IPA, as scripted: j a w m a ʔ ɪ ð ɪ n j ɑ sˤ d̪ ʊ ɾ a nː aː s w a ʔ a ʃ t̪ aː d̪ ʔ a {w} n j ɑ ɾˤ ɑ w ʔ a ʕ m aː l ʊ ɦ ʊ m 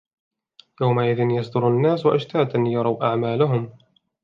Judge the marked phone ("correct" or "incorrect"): incorrect